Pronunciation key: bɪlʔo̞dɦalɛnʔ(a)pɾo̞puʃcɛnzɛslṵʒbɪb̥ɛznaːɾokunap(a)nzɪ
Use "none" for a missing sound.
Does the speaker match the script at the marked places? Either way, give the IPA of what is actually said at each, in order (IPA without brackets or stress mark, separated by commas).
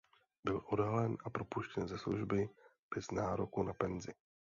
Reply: a, ɛ